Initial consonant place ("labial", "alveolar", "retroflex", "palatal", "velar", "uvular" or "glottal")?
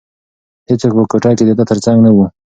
glottal